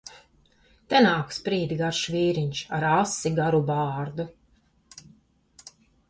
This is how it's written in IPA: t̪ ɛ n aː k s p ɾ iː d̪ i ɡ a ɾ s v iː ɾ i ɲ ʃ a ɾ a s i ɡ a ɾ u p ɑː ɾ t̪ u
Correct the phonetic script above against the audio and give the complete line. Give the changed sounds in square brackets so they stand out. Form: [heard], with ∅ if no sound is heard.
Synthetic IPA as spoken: t̪ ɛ n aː k s p ɾ iː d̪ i ɡ a ɾ [ʃ] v iː ɾ i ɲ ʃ a ɾ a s i ɡ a ɾ u [b] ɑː ɾ [d̪] u

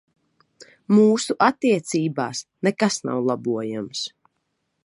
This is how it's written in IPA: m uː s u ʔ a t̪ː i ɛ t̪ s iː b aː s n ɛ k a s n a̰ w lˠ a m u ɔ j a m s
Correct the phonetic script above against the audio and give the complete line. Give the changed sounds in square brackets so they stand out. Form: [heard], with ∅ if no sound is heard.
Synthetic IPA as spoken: m uː s u ʔ a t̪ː i ɛ t̪ s iː b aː s n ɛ k a s n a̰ w lˠ a [b] u ɔ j a m s

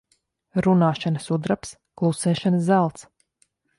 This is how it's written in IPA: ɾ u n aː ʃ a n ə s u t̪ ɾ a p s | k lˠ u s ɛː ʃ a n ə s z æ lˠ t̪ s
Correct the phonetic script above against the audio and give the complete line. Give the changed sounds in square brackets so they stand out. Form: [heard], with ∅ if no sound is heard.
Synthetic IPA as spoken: ɾ u n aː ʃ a n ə s u [d̪] ɾ a p s | k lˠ u s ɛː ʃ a n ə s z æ lˠ t̪ s

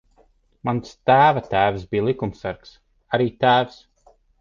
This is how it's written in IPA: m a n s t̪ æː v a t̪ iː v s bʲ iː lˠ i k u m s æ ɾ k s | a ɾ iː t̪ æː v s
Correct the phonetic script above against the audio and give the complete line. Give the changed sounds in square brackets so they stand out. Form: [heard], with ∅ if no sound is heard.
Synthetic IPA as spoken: m a n s t̪ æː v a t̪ [æː] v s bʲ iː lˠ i k u m s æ ɾ k s | a ɾ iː t̪ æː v s

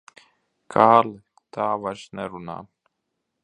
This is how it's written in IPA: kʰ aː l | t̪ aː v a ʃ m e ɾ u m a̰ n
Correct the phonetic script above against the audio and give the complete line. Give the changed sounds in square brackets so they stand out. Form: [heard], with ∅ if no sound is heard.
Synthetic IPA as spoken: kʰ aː l | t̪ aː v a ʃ [n] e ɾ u [n] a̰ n

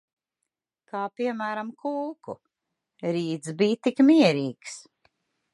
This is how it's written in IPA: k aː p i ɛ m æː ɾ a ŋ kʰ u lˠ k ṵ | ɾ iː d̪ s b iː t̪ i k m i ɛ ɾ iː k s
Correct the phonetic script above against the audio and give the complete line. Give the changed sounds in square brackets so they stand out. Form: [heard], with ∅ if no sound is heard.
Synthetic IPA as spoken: k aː p i ɛ m æː ɾ a [m] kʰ u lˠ k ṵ | ɾ iː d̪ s b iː t̪ i k m i ɛ ɾ iː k s

